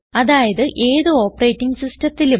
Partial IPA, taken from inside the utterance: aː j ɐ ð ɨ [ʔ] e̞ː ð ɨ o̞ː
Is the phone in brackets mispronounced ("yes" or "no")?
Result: no